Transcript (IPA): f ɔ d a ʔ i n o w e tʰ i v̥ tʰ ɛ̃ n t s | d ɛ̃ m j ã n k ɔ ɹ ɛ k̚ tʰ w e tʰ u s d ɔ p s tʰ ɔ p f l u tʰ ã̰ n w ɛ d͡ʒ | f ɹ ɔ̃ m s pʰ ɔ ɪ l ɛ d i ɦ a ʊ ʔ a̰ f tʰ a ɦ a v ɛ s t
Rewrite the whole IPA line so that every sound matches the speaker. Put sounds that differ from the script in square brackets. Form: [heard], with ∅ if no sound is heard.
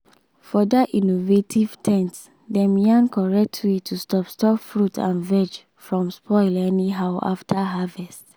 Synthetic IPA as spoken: f ɔ d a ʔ i n o [v] e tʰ i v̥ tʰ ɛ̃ n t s | d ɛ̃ m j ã n k ɔ ɹ ɛ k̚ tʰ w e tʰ u s [t] ɔ p s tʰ ɔ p f [ɹ] u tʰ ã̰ n [v] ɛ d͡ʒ | f ɹ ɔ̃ m s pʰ ɔ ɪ l ɛ [n] i ɦ a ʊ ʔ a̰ f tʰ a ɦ a v ɛ s t